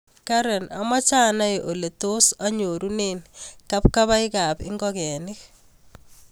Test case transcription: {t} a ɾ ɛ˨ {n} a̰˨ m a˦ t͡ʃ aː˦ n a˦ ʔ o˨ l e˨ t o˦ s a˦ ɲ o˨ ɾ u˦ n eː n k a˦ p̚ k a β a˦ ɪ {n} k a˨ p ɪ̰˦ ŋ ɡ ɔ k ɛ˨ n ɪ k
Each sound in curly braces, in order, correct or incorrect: incorrect: k, correct, incorrect: none

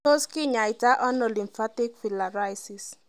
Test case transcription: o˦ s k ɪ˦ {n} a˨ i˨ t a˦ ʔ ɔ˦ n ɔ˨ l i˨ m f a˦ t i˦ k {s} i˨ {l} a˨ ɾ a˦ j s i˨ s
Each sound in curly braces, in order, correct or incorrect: incorrect: ɲ, incorrect: f, correct

